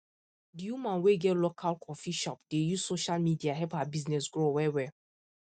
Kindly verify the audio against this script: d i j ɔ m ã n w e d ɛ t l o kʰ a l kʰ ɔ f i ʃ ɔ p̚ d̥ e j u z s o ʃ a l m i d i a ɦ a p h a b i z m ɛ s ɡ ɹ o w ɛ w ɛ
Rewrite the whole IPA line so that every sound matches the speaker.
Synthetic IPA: d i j u m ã n w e ɡ ɛ t l o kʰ a l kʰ ɔ f i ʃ ɔ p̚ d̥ e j u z s o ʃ a l m i d i a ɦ ɛ p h a b i z n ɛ s ɡ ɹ o w ɛ w ɛ